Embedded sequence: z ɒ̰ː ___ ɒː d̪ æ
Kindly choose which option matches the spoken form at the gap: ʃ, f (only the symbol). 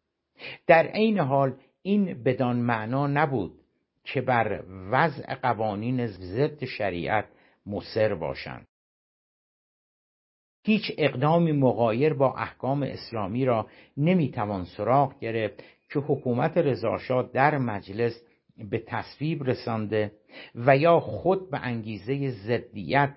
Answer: ʃ